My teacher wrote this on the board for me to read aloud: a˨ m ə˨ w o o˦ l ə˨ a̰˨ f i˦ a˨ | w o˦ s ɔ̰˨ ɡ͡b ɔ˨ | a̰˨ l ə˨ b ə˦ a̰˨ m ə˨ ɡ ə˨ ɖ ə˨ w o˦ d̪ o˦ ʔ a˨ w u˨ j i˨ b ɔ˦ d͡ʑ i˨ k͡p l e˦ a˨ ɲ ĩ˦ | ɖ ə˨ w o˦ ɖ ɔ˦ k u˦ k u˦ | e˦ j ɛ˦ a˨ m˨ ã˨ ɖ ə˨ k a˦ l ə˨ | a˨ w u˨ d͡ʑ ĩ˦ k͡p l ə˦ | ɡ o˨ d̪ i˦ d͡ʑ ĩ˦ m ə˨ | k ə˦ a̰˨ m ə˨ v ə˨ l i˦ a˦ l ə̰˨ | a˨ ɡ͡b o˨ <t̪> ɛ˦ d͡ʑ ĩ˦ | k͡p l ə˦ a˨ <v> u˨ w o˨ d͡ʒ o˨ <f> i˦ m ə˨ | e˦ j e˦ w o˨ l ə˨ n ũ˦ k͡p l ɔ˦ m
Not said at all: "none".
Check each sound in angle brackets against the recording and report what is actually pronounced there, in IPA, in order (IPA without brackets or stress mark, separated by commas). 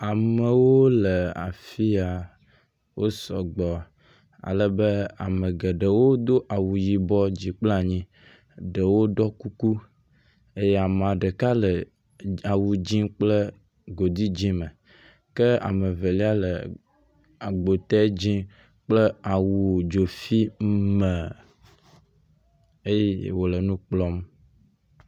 t̪, w, f